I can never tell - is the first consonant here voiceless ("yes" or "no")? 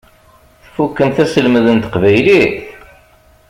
yes